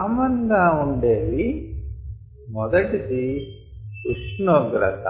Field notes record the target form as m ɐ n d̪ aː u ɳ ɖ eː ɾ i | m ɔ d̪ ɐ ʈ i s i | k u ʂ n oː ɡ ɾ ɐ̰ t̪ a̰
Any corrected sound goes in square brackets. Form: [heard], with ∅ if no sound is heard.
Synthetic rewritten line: m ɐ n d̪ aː u ɳ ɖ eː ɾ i | m ɔ d̪ ɐ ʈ i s i | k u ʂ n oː ɡ ɾ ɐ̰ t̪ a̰